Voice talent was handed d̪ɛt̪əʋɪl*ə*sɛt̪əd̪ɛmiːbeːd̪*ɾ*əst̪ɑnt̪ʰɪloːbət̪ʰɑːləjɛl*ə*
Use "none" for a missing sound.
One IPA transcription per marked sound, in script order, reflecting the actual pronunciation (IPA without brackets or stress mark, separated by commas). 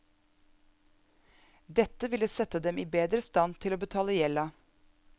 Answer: ə, ɾ, ɑ